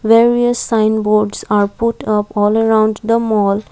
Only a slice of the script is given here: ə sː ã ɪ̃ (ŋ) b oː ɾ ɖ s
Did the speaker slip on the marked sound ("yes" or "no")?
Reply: yes